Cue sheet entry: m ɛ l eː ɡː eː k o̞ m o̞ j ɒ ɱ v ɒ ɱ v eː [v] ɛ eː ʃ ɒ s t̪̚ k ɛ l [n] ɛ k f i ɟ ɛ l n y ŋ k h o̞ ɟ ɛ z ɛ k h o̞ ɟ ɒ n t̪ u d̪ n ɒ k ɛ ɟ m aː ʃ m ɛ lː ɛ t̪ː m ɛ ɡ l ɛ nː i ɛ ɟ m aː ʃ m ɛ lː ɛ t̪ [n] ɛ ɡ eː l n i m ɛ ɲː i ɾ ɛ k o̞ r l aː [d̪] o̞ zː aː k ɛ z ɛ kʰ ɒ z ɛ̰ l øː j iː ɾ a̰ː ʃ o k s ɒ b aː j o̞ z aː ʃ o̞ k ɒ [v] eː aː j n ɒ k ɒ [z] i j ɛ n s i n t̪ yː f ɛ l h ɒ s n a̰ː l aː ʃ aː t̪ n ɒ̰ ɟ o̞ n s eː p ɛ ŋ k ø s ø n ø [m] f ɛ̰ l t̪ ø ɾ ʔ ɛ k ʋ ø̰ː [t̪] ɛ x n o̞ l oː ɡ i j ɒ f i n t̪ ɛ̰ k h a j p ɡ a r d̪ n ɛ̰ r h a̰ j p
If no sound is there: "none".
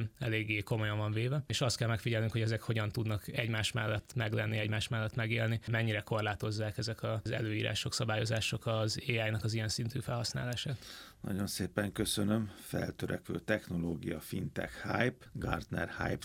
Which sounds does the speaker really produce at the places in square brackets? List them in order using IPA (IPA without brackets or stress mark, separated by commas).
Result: v, m, m, t̪, z, z, m, t̪